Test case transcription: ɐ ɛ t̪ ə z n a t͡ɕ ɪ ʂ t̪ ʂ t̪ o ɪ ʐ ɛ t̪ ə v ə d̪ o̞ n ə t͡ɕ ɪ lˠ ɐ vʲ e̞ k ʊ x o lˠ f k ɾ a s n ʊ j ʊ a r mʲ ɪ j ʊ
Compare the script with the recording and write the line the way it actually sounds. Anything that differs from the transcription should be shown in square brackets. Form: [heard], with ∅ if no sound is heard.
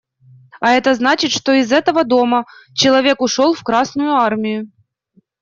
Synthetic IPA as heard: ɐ ɛ t̪ ə z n a t͡ɕ ɪ [∅] t̪ ʂ t̪ o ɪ [z] ɛ t̪ ə v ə d̪ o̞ [m] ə t͡ɕ ɪ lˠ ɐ vʲ e̞ k ʊ [ʂ] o lˠ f k ɾ a s n ʊ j ʊ a r mʲ ɪ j ʊ

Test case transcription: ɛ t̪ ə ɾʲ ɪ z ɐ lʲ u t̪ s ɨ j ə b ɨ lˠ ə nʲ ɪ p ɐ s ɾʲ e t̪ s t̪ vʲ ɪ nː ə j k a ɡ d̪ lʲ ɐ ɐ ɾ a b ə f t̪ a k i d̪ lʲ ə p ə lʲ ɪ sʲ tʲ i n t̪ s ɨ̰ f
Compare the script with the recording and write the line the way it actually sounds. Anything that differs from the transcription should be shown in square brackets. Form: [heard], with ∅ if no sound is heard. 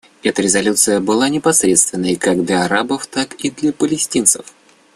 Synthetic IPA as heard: ɛ t̪ ə ɾʲ ɪ z ɐ lʲ u t̪ s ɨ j ə b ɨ lˠ [a] nʲ ɪ p ɐ s ɾʲ e t̪ s t̪ vʲ ɪ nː ə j k a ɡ d̪ lʲ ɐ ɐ ɾ a b ə f t̪ a k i d̪ lʲ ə p ə lʲ ɪ sʲ tʲ i n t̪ s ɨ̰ f

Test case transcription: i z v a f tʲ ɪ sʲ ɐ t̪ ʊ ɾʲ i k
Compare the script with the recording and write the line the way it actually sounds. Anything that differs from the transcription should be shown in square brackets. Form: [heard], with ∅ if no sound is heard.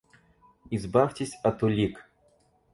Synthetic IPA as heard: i z [b] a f tʲ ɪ sʲ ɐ t̪ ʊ [lʲ] i k

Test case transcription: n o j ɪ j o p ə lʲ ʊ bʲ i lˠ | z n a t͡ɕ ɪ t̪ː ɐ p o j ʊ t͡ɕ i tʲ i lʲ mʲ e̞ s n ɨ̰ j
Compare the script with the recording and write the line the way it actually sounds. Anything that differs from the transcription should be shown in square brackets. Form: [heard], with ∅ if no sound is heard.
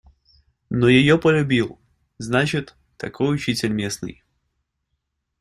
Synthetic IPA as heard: n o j ɪ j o p ə lʲ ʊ bʲ i lˠ | z n a t͡ɕ ɪ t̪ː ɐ [k] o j ʊ t͡ɕ i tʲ [ɪ] lʲ mʲ e̞ s n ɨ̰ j

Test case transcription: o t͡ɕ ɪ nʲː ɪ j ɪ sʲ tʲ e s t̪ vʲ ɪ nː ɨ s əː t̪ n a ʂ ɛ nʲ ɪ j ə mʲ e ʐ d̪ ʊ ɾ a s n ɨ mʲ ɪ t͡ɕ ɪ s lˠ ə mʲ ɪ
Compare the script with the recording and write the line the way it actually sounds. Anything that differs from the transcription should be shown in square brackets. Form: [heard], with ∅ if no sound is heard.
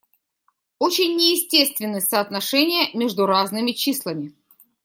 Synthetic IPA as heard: o t͡ɕ ɪ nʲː ɪ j ɪ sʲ tʲ e s t̪ vʲ ɪ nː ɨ s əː t̪ n [ɐ] ʂ ɛ nʲ ɪ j ə mʲ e ʐ d̪ ʊ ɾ a [z] n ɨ mʲ ɪ t͡ɕ [i] s lˠ ə mʲ ɪ

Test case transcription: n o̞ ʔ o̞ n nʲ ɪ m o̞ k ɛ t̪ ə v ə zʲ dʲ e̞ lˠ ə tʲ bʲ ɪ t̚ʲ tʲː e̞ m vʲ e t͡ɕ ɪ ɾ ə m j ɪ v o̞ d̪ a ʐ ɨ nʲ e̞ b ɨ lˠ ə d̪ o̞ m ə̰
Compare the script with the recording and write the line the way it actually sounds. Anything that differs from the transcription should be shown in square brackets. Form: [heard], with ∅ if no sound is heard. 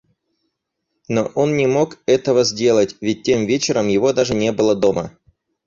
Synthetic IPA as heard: n o̞ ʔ o̞ n nʲ ɪ m o̞ k ɛ t̪ ə v ə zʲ dʲ e̞ lˠ ə tʲ [vʲ] ɪ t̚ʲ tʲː e̞ m vʲ e t͡ɕ ɪ ɾ ə m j ɪ v o̞ d̪ a ʐ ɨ nʲ e̞ b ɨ lˠ ə d̪ o̞ m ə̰

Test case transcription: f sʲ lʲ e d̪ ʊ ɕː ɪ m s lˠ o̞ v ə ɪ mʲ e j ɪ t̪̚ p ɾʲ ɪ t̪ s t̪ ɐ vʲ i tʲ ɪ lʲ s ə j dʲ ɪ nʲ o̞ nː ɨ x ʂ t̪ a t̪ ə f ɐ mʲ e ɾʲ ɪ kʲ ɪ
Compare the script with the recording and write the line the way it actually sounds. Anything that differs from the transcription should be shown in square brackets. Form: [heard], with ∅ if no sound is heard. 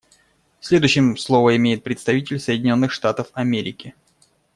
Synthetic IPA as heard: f sʲ lʲ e d̪ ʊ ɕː ɪ m s lˠ o̞ v ə ɪ mʲ e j ɪ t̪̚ p ɾʲ ɪ t̪ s t̪ ɐ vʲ i tʲ ɪ lʲ s ə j dʲ ɪ nʲ o̞ nː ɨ x ʂ t̪ a t̪ ə f ɐ mʲ e ɾʲ ɪ kʲ ɪ

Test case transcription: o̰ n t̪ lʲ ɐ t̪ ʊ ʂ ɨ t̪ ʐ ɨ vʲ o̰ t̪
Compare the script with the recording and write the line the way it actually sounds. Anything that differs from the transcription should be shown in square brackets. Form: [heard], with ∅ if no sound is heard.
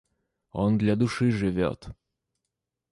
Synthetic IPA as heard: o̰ n [d̪] lʲ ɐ [d̪] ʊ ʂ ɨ [∅] ʐ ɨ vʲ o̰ t̪

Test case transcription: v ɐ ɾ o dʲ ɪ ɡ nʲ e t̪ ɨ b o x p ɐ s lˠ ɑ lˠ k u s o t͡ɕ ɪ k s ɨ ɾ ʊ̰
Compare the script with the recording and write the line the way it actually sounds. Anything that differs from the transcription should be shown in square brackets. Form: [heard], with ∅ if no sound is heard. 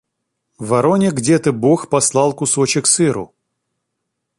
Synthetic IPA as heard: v ɐ ɾ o [nʲ] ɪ ɡ [dʲ] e t̪ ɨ b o x p ɐ s lˠ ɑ lˠ k [ʊ] s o t͡ɕ ɪ k s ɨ ɾ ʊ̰

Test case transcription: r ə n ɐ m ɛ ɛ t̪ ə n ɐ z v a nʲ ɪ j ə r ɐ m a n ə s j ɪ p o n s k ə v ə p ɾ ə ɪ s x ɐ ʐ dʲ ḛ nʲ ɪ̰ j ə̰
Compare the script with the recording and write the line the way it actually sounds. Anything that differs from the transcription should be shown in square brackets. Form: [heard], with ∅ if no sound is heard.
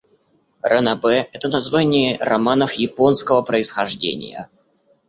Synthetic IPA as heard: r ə n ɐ [b] ɛ ɛ t̪ ə n ɐ z v a nʲ ɪ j ə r ɐ m a n ə [f] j ɪ p o n s k ə v ə p ɾ ə ɪ s x ɐ ʐ dʲ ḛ nʲ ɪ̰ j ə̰

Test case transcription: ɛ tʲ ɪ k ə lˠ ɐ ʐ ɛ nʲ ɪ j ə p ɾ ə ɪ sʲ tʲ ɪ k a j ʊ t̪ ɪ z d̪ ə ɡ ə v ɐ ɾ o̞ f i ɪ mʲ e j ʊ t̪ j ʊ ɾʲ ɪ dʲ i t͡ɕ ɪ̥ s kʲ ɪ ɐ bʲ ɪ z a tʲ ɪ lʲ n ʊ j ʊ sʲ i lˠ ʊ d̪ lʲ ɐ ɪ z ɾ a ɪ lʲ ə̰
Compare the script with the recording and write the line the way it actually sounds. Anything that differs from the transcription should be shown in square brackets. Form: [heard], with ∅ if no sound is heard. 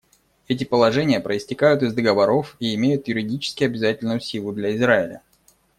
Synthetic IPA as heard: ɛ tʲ ɪ [p] ə lˠ ɐ ʐ ɛ nʲ ɪ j ə p ɾ ə ɪ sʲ tʲ ɪ k a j ʊ t̪ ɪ z d̪ ə ɡ ə v ɐ ɾ o̞ f i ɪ mʲ e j ʊ t̪ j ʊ ɾʲ ɪ dʲ i t͡ɕ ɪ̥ s kʲ ɪ ɐ bʲ ɪ z a tʲ ɪ lʲ n ʊ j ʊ sʲ i lˠ ʊ d̪ lʲ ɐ ɪ z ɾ a ɪ lʲ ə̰

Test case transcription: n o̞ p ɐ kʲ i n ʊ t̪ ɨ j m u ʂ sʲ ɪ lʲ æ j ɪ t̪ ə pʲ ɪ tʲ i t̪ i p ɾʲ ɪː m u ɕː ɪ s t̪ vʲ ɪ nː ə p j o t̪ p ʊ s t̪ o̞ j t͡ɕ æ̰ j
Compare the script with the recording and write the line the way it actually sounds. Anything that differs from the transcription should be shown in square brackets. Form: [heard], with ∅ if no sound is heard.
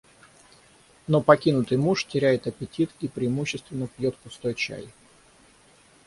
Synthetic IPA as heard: n o̞ p ɐ kʲ i n ʊ t̪ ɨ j m u ʂ [tʲ] ɪ [ɾʲ] æ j ɪ t̪ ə pʲ ɪ tʲ i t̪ i p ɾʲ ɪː m u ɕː ɪ s t̪ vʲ ɪ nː ə p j o t̪ p ʊ s t̪ o̞ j t͡ɕ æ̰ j

